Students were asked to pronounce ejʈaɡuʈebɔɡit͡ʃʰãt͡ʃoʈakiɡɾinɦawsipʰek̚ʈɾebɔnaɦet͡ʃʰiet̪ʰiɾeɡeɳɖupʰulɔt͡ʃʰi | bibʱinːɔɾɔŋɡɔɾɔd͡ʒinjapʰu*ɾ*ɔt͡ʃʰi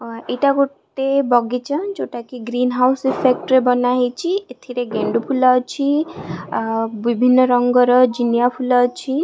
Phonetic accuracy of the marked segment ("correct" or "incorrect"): incorrect